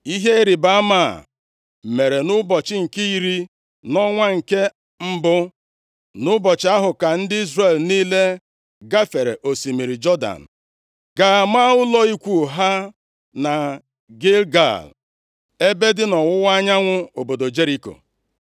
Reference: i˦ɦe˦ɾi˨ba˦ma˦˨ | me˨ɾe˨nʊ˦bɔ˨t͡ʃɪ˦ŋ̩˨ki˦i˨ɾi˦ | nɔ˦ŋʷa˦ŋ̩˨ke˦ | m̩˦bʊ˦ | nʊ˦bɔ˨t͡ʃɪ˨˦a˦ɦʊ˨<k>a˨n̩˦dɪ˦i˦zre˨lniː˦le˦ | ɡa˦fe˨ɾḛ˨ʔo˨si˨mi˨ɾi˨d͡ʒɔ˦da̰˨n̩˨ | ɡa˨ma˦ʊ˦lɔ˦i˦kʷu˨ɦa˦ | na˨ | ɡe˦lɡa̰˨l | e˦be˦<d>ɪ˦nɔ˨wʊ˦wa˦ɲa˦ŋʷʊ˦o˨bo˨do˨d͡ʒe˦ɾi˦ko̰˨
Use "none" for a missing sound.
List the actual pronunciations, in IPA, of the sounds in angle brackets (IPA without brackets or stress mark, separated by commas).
k, d